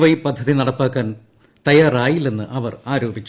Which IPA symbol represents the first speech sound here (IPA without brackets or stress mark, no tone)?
ʋ